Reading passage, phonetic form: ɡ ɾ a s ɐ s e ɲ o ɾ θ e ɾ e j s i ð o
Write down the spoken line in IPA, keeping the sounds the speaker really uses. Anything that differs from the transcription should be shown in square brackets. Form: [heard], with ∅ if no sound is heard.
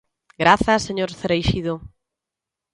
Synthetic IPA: ɡ ɾ a [θ] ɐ s e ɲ o ɾ θ e ɾ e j [ʃ] i ð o